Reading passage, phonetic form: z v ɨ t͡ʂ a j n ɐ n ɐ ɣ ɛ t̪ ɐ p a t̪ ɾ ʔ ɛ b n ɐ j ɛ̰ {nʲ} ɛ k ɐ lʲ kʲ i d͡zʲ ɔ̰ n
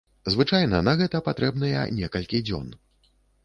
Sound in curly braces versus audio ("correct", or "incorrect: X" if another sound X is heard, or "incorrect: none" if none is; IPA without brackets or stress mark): correct